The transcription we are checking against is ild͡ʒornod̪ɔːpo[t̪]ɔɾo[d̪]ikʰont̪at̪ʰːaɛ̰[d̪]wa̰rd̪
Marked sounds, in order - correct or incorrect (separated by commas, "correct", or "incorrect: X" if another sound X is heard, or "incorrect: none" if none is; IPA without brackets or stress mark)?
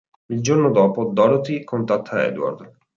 incorrect: d̪, incorrect: t̪, correct